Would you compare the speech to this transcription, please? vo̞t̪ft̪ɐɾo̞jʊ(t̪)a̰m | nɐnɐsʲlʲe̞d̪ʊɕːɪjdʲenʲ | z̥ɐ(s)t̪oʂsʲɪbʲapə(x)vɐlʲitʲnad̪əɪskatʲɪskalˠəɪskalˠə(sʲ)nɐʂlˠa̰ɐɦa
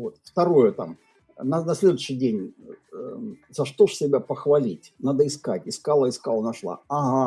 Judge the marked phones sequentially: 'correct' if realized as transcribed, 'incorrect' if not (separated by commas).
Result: correct, incorrect, correct, incorrect